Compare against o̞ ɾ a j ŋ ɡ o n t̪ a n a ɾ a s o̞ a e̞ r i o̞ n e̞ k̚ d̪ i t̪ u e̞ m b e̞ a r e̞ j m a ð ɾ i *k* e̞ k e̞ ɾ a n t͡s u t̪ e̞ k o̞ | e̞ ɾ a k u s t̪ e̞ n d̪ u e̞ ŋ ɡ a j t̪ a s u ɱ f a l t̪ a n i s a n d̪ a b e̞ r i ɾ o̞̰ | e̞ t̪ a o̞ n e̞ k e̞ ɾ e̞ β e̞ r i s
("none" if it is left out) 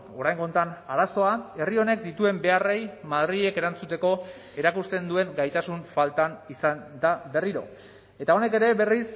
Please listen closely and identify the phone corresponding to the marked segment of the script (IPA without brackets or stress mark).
none